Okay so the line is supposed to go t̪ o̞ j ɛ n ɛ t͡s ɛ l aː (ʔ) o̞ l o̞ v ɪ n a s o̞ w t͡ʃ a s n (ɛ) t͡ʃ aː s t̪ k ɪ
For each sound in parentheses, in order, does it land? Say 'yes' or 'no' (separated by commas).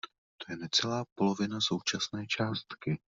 no, no